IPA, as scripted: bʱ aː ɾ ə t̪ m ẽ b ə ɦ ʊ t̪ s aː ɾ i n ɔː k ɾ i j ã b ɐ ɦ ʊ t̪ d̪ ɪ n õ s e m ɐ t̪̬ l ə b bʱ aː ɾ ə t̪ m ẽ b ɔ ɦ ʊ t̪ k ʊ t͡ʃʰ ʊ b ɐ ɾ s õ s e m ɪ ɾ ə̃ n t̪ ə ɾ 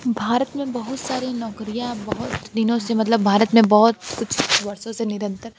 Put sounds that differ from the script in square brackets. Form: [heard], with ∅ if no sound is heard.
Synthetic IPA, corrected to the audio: bʱ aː ɾ ə t̪ m ẽ b [ɐ] ɦ ʊ t̪ s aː ɾ i n ɔː k ɾ i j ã b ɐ ɦ ʊ t̪ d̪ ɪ n õ s e m ɐ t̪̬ l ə b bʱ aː ɾ ə t̪ m ẽ b ɔ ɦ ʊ t̪ k ʊ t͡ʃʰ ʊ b ɐ ɾ s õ s e [n] ɪ ɾ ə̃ n t̪ ə ɾ